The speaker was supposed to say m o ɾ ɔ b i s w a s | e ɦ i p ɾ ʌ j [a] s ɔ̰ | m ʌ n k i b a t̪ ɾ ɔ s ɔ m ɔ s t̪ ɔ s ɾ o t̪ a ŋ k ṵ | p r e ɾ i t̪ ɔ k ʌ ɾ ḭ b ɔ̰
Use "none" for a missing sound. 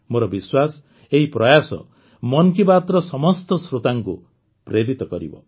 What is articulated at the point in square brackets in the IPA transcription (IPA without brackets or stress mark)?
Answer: a